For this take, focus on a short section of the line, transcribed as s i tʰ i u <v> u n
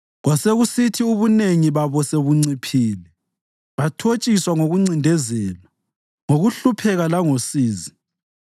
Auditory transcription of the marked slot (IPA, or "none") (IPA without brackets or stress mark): β